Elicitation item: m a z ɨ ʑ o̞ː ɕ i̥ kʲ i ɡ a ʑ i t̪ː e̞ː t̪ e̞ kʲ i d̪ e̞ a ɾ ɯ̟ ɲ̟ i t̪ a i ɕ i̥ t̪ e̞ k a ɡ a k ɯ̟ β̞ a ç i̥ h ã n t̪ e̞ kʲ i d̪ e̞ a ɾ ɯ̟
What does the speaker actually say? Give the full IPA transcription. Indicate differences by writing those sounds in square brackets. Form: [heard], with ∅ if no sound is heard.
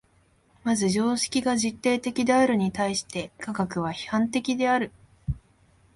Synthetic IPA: m a z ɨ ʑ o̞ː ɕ i̥ kʲ i ɡ a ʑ i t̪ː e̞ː t̪ e̞ kʲ i d̪ e̞ a ɾ ɯ̟ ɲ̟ i t̪ a i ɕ i̥ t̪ e̞ k a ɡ a k ɯ̟ β̞ a ç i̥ h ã n t̪ e̞ kʲ i d̪ e̞ a ɾ ɯ̟

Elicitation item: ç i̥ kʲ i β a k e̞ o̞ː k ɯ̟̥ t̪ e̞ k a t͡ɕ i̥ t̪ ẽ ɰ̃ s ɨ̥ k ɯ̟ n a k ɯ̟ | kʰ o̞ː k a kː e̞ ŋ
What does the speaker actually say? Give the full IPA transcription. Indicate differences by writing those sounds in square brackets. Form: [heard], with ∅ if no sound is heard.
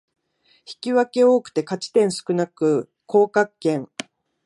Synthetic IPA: ç i̥ kʲ i β a k e̞ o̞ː k ɯ̟̥ t̪ e̞ k a t͡ɕ i̥ t̪ ẽ ɰ̃ s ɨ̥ k ɯ̟ n a k ɯ̟ | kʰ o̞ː k a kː [ẽ̞] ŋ

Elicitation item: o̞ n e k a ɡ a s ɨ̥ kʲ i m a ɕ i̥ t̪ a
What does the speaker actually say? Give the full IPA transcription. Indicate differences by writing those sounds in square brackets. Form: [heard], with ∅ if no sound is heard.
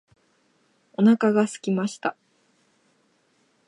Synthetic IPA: o̞ n [a] k a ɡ a s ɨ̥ kʲ i m a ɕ i̥ t̪ a

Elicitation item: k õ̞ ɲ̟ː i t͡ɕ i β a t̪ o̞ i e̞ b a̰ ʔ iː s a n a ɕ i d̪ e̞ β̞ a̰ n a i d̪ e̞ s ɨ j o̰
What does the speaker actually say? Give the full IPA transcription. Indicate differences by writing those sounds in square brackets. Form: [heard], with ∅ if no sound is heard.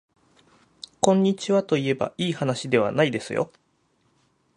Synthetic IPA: k õ̞ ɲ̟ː i t͡ɕ i β a t̪ o̞ i e̞ b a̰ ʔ iː [h] a n a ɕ i d̪ e̞ β̞ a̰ n a i d̪ e̞ s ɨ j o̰

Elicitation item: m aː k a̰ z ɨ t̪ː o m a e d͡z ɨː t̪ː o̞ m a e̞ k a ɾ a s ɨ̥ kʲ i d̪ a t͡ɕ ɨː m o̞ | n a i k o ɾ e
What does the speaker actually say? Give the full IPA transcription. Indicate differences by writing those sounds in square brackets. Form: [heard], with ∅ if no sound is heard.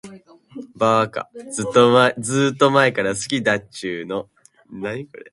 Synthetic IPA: [b] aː k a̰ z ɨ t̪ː o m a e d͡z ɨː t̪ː o̞ m a e̞ k a ɾ a s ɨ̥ kʲ i d̪ a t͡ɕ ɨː [n] o̞ | n a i k o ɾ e

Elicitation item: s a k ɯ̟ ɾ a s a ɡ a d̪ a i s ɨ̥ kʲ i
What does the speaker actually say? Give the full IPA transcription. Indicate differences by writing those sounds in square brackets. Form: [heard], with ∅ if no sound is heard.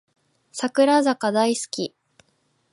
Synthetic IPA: s a k ɯ̟ ɾ a [z] a [k] a d̪ a i s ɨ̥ kʲ i

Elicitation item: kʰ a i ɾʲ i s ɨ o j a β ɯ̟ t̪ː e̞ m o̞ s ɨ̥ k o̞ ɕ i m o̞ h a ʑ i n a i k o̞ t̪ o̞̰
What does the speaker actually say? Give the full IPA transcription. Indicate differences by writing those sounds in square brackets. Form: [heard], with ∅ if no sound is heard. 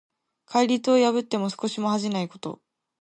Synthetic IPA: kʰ a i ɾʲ i [t͡s] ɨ o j a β ɯ̟ t̪ː e̞ m o̞ s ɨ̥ k o̞ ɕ i m o̞ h a ʑ i n a i k o̞ t̪ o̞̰

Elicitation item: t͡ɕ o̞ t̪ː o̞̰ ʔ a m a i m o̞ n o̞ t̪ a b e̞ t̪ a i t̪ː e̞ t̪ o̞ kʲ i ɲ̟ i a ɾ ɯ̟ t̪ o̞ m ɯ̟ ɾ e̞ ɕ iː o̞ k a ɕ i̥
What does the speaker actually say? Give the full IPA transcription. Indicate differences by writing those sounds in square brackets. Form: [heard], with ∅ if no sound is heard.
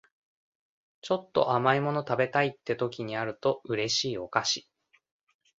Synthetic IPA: t͡ɕ o̞ t̪ː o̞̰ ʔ a m a i m o̞ n o̞ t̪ a b e̞ t̪ a i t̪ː e̞ t̪ o̞ kʲ i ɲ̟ i a ɾ ɯ̟ t̪ o̞ [∅] ɯ̟ ɾ e̞ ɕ iː o̞ k a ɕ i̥

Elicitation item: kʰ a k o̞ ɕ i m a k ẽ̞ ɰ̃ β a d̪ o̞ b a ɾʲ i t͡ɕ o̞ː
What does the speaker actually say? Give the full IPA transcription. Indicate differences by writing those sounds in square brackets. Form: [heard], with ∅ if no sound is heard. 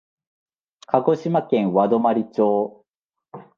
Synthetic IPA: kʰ a [ɡ] o̞ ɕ i m a k ẽ̞ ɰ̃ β a d̪ o̞ [m] a ɾʲ i t͡ɕ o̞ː

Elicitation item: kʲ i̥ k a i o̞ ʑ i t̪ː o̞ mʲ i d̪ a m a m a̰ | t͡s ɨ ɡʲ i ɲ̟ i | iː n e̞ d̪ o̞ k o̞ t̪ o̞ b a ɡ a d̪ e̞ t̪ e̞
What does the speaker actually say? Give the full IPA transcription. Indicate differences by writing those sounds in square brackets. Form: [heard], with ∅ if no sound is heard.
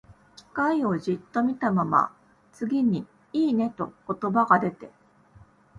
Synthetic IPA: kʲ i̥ k a i o̞ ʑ i t̪ː o̞ mʲ i [t̪] a m a m a̰ | t͡s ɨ ɡʲ i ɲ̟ i | iː n e̞ [t̪] o̞ k o̞ t̪ o̞ b a ɡ a d̪ e̞ t̪ e̞

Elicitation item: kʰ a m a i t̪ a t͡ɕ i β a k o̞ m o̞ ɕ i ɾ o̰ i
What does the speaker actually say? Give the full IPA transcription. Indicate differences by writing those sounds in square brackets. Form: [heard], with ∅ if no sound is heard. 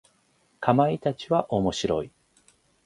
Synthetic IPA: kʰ a m a i t̪ a t͡ɕ i β a [ʔ] o̞ m o̞ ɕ i ɾ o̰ i

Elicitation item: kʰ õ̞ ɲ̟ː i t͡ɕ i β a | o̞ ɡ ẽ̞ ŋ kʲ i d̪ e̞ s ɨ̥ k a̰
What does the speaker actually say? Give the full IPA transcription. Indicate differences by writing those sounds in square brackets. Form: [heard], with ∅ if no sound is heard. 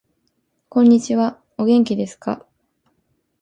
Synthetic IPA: [k] õ̞ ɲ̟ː i t͡ɕ i β a | o̞ ɡ ẽ̞ ŋ kʲ i d̪ e̞ s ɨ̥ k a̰

